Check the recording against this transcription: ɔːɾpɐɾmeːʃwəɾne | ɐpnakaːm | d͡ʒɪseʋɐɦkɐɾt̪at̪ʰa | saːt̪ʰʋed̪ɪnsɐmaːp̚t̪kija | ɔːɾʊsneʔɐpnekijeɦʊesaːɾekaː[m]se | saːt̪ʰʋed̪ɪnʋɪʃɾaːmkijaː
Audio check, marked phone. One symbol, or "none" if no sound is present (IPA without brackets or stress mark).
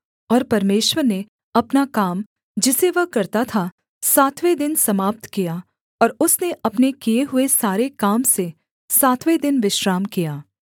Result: m